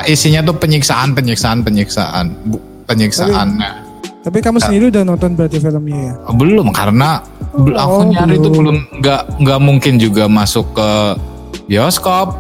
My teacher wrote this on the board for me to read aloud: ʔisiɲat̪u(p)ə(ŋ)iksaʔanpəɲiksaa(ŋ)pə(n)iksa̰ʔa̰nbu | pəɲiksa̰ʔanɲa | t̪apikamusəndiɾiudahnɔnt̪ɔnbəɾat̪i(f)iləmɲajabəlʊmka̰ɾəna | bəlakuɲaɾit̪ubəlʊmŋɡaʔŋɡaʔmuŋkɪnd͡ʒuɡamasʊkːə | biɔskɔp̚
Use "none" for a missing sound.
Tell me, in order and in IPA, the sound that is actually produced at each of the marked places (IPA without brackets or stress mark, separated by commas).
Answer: p, ɲ, n, ɲ, f